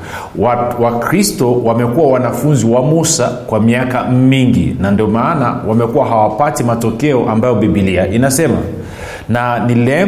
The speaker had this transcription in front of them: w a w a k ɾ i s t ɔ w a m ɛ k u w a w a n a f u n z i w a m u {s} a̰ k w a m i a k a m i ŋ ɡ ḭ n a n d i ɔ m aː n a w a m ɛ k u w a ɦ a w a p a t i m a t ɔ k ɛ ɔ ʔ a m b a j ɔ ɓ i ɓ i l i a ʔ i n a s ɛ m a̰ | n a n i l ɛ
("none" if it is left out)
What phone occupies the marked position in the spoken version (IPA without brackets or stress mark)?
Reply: s